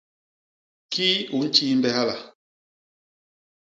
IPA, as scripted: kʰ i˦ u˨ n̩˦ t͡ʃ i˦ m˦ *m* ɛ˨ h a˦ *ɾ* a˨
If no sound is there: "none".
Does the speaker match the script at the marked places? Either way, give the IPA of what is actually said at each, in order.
b, l

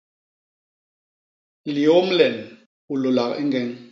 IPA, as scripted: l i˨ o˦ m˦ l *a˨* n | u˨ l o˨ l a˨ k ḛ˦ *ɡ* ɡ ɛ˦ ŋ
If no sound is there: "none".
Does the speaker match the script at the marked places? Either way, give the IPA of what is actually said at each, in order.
ɛ˨, ŋ

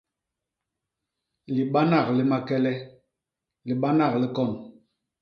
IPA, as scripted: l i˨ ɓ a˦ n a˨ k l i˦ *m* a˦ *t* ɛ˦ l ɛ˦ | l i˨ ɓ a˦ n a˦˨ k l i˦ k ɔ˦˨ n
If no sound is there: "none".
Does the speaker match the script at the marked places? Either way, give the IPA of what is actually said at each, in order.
m, k

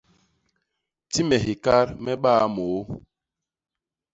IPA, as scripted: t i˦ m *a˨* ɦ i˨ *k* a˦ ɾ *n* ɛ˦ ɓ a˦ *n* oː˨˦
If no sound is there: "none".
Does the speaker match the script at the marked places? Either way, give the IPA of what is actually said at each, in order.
ɛ˨, k, m, m

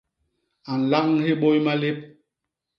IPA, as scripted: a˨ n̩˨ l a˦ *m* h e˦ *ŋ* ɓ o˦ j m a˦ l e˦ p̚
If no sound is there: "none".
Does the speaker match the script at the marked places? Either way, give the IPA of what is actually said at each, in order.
ŋ, none

